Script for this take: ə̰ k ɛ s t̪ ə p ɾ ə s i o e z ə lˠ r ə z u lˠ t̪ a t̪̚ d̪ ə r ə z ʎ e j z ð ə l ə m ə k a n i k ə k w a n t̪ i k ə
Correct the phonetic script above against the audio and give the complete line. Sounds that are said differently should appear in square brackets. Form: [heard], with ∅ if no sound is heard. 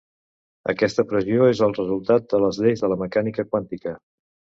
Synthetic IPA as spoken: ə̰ k ɛ s t̪ ə p ɾ ə [z] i o e z ə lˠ r ə z u lˠ t̪ a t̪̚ d̪ ə [l] ə z ʎ e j z ð ə l ə m ə k a n i k ə k w a n t̪ i k ə